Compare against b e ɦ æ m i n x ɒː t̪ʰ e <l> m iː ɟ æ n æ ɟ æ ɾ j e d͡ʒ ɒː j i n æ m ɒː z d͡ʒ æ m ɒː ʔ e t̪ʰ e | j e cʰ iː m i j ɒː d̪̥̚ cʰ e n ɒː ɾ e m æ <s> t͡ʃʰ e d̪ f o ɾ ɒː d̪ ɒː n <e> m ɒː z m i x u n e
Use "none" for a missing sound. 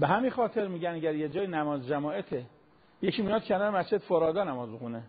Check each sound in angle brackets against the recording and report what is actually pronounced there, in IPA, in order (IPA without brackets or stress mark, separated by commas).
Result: ɾ, s, æ